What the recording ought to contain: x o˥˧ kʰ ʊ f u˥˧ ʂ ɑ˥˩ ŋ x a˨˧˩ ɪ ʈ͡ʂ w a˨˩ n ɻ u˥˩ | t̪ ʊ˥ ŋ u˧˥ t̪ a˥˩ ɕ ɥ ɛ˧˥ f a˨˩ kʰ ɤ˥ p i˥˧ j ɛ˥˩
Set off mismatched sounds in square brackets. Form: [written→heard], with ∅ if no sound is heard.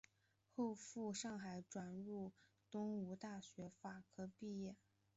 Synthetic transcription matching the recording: x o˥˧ [kʰ→∅] ʊ f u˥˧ ʂ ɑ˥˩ ŋ x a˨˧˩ ɪ ʈ͡ʂ w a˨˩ n ɻ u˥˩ | t̪ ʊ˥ ŋ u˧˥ t̪ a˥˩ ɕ ɥ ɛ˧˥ f a˨˩ kʰ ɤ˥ p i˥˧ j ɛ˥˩